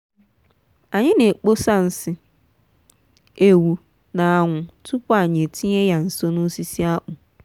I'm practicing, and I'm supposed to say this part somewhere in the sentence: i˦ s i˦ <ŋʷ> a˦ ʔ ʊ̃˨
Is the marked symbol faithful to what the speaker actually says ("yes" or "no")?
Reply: no